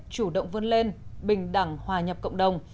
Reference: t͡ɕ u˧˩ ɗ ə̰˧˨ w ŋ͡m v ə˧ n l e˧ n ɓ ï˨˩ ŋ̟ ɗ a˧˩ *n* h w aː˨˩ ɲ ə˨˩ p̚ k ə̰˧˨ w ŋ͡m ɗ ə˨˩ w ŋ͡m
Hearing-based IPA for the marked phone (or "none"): ŋ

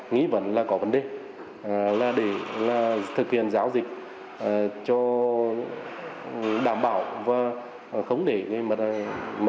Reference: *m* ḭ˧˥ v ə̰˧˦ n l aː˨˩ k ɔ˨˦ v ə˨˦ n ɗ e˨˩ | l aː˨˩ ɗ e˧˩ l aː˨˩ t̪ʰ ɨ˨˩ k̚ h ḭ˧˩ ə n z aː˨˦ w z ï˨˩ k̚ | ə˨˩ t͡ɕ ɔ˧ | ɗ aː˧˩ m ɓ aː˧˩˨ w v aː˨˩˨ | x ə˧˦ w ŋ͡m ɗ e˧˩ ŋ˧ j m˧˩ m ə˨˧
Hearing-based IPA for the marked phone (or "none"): ŋ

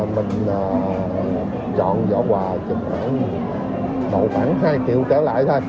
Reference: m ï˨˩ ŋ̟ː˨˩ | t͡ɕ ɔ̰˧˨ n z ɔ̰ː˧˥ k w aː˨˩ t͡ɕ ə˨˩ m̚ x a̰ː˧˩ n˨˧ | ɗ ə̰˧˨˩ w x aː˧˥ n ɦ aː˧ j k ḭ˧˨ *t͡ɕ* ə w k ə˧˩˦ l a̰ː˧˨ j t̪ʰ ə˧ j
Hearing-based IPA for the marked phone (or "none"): none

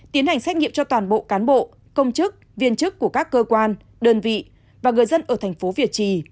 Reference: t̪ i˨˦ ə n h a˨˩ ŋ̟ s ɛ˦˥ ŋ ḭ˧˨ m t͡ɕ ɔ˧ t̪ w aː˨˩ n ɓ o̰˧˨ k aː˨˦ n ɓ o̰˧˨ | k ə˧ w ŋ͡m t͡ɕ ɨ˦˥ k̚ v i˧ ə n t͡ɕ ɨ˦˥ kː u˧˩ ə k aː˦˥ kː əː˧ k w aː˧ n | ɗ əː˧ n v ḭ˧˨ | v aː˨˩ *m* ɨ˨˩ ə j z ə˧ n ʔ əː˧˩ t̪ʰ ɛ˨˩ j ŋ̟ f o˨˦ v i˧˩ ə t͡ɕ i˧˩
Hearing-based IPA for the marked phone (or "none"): ŋ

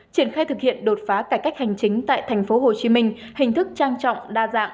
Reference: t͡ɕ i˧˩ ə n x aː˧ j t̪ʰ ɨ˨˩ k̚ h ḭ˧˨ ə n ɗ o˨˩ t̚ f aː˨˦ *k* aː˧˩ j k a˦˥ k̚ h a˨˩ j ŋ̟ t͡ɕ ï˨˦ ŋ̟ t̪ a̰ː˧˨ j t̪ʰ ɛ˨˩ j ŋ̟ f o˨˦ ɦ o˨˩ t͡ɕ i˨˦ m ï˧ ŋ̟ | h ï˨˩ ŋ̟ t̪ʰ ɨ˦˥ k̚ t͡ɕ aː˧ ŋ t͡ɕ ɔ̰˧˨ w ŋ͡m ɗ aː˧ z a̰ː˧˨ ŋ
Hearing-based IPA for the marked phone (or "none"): k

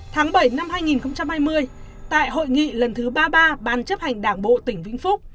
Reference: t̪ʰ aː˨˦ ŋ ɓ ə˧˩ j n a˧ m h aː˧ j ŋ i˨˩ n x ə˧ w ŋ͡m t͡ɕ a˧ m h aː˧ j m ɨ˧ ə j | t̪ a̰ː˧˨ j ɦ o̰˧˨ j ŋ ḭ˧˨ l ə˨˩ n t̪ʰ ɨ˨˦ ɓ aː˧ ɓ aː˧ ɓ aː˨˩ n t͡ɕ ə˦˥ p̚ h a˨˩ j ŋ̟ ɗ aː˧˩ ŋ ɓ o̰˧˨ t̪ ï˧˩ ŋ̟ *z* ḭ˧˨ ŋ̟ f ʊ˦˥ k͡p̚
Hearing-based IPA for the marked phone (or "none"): v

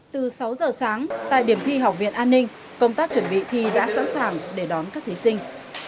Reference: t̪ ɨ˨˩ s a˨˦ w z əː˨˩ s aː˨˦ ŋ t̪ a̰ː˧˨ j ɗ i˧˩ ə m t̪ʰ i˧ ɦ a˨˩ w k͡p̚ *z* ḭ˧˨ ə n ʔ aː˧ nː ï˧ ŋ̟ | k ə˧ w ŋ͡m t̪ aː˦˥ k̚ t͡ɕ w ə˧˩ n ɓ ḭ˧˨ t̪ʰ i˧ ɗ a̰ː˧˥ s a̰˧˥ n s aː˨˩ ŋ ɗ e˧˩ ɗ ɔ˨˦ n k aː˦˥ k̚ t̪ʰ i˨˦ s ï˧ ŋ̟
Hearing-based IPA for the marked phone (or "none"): v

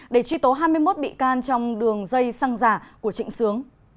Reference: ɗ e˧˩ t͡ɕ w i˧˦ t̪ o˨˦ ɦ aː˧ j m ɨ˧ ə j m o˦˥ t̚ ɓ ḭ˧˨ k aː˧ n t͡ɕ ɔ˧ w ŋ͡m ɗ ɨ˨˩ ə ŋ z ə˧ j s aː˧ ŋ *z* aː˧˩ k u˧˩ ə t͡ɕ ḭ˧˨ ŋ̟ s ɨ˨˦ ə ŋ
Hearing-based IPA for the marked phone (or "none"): z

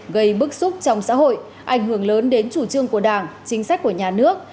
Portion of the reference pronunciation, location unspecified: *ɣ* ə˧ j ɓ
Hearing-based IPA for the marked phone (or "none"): ɣ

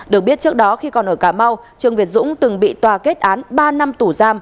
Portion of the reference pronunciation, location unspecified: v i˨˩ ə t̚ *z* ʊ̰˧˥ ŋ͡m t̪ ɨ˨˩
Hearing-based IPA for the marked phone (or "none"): z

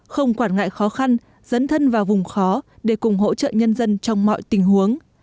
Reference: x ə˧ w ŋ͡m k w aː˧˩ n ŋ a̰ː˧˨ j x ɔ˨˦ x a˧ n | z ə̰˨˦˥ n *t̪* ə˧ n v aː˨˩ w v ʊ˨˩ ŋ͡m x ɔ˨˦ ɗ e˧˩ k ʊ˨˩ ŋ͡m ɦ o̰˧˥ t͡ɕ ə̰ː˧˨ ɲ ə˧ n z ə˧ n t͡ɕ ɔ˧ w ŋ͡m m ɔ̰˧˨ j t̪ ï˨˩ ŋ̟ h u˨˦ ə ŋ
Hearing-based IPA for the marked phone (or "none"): t̪ʰ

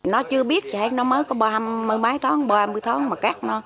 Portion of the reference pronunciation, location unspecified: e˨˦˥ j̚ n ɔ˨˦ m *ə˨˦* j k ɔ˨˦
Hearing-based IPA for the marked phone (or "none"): əː˨˦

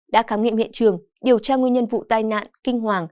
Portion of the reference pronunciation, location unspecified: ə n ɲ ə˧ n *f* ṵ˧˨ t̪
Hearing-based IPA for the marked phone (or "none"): v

